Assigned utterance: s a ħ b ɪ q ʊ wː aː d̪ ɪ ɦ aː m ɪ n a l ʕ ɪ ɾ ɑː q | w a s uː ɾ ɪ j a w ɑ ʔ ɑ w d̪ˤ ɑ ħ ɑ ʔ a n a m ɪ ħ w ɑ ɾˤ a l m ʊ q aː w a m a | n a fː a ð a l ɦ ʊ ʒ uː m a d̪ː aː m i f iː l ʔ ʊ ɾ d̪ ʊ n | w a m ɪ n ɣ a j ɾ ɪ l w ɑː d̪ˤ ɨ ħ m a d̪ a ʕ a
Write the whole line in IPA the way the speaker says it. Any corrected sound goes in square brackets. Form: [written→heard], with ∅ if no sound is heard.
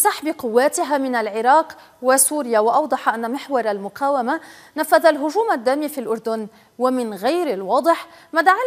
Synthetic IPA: s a ħ b ɪ q ʊ wː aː [d̪→t̪] ɪ ɦ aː m ɪ n a l ʕ ɪ ɾ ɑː q | w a s uː ɾ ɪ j a w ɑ ʔ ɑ w d̪ˤ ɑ ħ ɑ ʔ a [n→nː] a m ɪ ħ w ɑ ɾˤ a l m ʊ q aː w a m a | n a fː a ð a l ɦ ʊ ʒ uː m a d̪ː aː m i f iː l ʔ ʊ ɾ d̪ ʊ n | w a m ɪ n ɣ a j ɾ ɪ l w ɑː d̪ˤ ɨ ħ m a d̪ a ʕ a